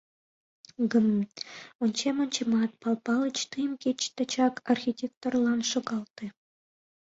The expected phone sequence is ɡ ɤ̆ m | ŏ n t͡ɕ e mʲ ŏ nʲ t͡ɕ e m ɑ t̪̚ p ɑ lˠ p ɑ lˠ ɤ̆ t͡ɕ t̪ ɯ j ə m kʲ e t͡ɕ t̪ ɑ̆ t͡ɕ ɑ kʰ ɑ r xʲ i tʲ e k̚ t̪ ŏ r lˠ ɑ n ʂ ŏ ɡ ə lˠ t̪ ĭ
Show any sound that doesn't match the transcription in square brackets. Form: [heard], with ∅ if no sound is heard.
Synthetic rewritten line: ɡ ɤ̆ m | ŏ n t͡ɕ e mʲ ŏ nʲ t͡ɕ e m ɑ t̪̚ p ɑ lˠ p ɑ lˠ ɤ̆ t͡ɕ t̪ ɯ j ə m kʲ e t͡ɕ t̪ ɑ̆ t͡ɕ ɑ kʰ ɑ r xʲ i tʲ e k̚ t̪ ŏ r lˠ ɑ n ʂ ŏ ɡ [ɑ] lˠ t̪ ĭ

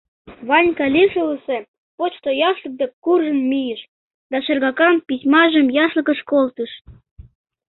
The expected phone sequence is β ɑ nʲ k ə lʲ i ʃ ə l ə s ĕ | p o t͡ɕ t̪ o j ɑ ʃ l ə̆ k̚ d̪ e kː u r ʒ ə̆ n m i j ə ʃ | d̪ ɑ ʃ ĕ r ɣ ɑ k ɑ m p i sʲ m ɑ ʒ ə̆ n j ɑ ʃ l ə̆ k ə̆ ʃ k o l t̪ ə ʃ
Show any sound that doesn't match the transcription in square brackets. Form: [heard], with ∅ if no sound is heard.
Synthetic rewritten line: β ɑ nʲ k [ɑ] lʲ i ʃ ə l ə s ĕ | p o t͡ɕ t̪ o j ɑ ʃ l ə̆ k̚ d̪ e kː u r ʒ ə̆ n m i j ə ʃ | d̪ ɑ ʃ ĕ r ɣ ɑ k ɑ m p i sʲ m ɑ ʒ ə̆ [m] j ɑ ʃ l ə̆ k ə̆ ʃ k o l t̪ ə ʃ

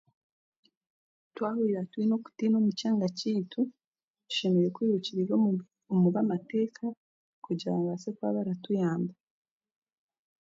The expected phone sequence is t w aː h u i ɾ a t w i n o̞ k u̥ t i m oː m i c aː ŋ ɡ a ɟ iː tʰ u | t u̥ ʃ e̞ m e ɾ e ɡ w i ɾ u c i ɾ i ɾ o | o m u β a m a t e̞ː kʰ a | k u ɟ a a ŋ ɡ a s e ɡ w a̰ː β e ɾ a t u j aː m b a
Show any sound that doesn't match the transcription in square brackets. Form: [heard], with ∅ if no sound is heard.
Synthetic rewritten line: t w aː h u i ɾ a t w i n o̞ k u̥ t i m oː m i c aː ŋ ɡ a [c] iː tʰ u | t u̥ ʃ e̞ m e ɾ e [k] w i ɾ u c i ɾ i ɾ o | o m u β a m a t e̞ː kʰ a | k u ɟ a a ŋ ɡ a s e [k] w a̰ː β [a] ɾ a t u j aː m b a

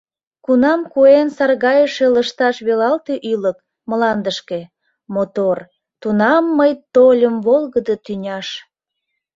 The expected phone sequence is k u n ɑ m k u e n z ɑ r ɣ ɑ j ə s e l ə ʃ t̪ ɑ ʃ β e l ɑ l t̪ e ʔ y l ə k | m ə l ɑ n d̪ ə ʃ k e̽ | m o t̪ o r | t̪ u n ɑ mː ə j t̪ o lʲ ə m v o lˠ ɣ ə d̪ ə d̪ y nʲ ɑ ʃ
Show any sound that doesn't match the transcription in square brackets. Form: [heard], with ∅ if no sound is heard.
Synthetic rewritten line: k u n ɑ m k u e n [s] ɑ r ɣ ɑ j ə [ʃ] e l ə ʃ t̪ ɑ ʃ β e l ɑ l t̪ e ʔ y l ə k | m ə l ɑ n d̪ ə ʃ k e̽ | m o t̪ o r | t̪ u n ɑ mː ə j t̪ o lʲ ə m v o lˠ ɣ ə d̪ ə [t̪] y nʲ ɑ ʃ

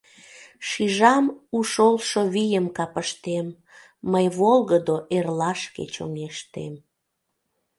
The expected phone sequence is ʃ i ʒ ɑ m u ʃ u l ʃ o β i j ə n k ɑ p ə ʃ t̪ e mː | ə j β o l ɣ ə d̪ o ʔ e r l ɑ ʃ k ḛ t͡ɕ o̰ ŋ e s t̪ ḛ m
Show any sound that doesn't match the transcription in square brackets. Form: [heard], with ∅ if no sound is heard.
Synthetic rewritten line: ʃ i ʒ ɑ m u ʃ [o] l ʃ o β i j ə [m] k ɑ p ə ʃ t̪ e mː | ə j β o l ɣ ə d̪ o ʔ e r l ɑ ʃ k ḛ t͡ɕ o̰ ŋ e [ʃ] t̪ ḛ m

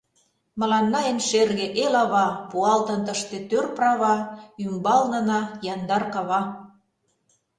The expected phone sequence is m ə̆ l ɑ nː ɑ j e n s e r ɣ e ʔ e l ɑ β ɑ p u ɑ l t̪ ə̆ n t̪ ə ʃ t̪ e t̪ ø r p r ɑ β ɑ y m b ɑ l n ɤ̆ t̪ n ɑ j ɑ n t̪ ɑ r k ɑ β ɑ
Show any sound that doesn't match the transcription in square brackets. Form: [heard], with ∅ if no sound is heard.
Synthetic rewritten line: m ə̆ l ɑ nː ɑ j e n [ʃ] e r ɣ e ʔ e l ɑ β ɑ p u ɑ l t̪ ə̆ n t̪ ə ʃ t̪ e t̪ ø r p r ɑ β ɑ y m b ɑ l n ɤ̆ [∅] n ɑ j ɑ n [d̪] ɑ r k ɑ β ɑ

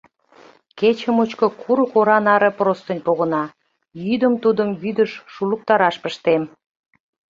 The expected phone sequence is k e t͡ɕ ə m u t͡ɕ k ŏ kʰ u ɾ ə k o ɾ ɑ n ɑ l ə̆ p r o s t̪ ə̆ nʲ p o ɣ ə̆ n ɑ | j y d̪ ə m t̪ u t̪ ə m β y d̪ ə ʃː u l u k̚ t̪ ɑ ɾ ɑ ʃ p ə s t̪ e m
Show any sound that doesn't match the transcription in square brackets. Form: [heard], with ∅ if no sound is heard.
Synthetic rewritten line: k e t͡ɕ ə m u t͡ɕ k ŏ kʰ u ɾ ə k o ɾ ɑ n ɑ [ɾ] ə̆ p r o s t̪ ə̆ nʲ p o ɣ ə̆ n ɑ | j y d̪ ə m t̪ u [d̪] ə m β y d̪ ə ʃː u l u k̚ t̪ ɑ ɾ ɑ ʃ p ə [ʃ] t̪ e m

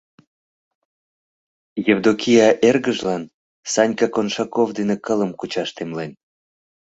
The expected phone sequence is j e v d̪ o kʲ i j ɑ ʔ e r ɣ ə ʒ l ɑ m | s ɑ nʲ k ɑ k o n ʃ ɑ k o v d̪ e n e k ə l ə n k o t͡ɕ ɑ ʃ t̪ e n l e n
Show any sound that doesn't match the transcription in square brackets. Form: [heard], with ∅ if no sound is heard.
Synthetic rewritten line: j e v d̪ o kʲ i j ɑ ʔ e r ɣ ə ʒ l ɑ [n] | s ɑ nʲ k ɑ k o n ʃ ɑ k o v d̪ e n e k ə l ə [m] k [u] t͡ɕ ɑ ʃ t̪ e [m] l e n

